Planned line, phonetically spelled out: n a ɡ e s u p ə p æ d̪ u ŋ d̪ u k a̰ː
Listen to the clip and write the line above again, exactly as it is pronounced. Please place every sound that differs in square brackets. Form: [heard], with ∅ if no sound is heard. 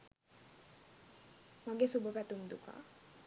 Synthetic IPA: [m] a ɡ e s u [b] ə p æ [t̪] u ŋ d̪ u k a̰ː